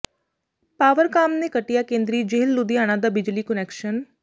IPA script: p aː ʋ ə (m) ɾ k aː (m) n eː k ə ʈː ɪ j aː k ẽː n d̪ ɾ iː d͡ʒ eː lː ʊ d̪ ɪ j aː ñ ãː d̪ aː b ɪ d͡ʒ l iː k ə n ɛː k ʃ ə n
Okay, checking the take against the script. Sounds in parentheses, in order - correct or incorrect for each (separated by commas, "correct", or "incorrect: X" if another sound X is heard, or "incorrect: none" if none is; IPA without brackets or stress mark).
incorrect: none, correct